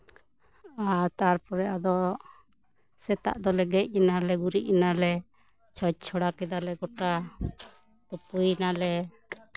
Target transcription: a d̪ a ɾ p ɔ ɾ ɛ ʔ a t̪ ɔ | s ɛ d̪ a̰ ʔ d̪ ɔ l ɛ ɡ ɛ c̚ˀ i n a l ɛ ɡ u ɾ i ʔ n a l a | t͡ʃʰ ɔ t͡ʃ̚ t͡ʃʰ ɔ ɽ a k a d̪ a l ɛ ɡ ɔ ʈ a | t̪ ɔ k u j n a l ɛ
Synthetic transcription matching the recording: a t̪ a ɾ p ɔ ɾ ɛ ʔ a d̪ ɔ | s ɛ t̪ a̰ ʔ d̪ ɔ l ɛ ɡ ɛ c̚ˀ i n a l ɛ ɡ u ɾ i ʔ n a l ɛ | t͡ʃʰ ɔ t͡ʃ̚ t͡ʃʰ ɔ ɽ a k ɛ d̪ a l ɛ ɡ ɔ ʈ a | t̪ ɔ p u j n a l ɛ